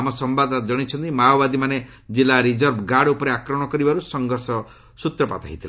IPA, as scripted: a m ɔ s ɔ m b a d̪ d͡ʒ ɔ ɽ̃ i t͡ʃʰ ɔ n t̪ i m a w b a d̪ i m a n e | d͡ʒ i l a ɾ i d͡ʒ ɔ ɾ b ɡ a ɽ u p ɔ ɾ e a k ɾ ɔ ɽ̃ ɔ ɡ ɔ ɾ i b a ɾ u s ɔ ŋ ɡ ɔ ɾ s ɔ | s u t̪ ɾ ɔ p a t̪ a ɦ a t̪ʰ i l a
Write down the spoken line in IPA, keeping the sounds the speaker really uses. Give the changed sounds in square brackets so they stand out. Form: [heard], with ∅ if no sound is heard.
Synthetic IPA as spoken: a m ɔ s ɔ m b a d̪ d͡ʒ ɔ ɽ̃ i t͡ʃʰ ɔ n t̪ i m a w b a d̪ i m a n e | d͡ʒ i l a ɾ i d͡ʒ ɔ ɾ b ɡ a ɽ u p ɔ ɾ e a k ɾ ɔ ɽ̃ ɔ [k] ɔ ɾ i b a ɾ u s ɔ ŋ ɡ ɔ ɾ s ɔ | s u t̪ ɾ ɔ p a t̪ a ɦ [i] t̪ʰ i l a